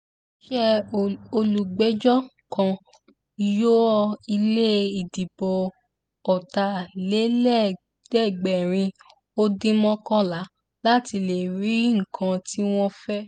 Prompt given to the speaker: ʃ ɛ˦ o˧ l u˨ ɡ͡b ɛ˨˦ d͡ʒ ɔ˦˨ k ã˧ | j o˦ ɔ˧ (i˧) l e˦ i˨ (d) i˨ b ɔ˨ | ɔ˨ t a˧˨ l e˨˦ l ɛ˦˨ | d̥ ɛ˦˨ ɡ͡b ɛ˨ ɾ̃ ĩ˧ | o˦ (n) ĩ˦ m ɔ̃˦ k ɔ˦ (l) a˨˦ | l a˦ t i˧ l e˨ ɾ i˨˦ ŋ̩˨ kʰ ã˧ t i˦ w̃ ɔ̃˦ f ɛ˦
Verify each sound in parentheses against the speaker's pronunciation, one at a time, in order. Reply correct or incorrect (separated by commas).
correct, correct, incorrect, correct